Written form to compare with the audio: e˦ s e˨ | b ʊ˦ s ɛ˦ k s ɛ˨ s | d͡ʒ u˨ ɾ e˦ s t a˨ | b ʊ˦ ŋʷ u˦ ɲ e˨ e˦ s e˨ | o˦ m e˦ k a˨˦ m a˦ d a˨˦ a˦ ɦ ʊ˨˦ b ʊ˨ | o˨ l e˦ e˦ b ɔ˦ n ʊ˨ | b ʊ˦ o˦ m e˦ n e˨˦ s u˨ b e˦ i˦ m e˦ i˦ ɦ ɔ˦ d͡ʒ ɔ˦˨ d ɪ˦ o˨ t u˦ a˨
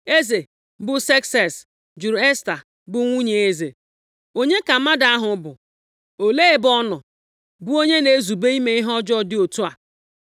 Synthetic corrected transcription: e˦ z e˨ | b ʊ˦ s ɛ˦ k s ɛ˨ s | d͡ʒ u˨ ɾ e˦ s t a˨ | b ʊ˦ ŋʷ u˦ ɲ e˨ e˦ z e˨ | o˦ ɲ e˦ k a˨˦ m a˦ d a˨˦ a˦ ɦ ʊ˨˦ b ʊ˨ | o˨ l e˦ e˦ b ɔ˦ n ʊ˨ | b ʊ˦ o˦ ɲ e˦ n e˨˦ z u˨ b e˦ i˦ m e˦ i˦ ɦ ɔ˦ d͡ʒ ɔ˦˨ d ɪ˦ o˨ t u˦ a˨